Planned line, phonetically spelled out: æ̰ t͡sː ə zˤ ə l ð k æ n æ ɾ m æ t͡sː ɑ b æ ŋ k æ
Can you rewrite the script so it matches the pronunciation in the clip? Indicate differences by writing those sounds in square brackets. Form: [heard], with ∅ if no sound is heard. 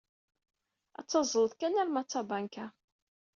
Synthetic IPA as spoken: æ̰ t͡sː [ɑ] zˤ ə l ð k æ n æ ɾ m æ t͡sː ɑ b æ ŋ k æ